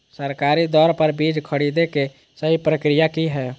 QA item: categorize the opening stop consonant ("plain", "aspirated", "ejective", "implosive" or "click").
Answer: plain